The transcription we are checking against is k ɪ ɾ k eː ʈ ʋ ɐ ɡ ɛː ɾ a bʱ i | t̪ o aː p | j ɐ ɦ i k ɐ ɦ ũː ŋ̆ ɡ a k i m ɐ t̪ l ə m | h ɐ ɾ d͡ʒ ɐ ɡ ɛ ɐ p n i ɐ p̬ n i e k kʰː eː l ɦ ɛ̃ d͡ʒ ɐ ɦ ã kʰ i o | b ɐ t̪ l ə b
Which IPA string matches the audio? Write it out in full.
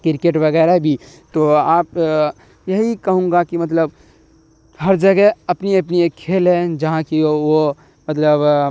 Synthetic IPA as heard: k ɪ ɾ k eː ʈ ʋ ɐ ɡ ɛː ɾ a bʱ i | t̪ o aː p | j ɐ ɦ i k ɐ ɦ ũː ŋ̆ ɡ a k i m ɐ t̪ l ə b | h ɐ ɾ d͡ʒ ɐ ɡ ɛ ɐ p n i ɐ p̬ n i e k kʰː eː l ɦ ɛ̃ d͡ʒ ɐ ɦ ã k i o | m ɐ t̪ l ə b